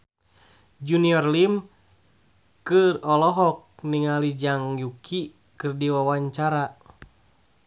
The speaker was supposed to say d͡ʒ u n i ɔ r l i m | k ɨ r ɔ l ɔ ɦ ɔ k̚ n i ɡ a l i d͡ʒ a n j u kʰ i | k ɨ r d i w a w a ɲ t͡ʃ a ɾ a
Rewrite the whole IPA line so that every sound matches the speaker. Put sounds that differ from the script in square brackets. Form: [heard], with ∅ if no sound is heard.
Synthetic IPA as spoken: d͡ʒ u n i ɔ r l i m | k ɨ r ɔ l ɔ ɦ ɔ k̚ n i [ŋ] a l i d͡ʒ a [ŋ] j u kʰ i | k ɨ r d i w a w a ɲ t͡ʃ a ɾ a

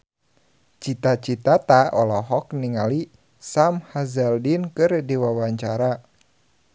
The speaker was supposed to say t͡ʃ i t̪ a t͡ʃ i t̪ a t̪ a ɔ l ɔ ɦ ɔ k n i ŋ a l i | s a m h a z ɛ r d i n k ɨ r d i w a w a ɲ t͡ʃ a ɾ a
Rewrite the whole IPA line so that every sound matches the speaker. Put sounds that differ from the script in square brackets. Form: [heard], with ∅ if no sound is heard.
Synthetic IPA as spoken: t͡ʃ i t̪ a t͡ʃ i t̪ a t̪ a ɔ l ɔ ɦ ɔ k n i ŋ a l i | s a m h a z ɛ [l] d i n k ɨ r d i w a w a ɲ t͡ʃ a ɾ a

